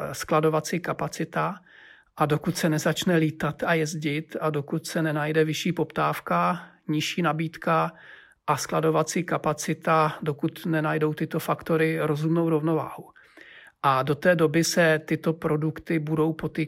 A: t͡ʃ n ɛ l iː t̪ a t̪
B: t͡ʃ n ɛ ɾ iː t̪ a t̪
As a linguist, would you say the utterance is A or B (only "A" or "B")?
A